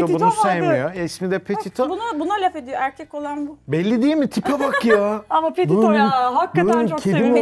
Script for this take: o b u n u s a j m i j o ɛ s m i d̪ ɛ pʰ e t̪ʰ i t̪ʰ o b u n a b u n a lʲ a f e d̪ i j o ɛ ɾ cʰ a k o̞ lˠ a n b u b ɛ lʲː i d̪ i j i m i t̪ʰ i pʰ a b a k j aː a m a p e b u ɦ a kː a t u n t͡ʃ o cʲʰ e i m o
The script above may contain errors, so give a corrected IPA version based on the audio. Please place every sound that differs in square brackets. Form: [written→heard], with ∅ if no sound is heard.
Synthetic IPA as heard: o b u n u s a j m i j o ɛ s m i d̪ ɛ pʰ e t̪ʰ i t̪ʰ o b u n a b u n a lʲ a f e d̪ i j o [ɛ→æ] ɾ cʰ [a→ɛ] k o̞ lˠ a n b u b ɛ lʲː i d̪ i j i m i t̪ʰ i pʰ a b a k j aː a m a p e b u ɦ a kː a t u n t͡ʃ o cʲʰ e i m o